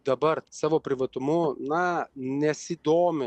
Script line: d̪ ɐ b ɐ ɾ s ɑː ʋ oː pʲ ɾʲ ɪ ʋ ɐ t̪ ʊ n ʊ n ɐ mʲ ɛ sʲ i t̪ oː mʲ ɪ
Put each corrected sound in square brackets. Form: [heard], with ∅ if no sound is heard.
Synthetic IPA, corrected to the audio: d̪ ɐ b ɐ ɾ s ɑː ʋ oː pʲ ɾʲ ɪ ʋ ɐ t̪ ʊ [m] ʊ n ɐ [nʲ] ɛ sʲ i [d̪] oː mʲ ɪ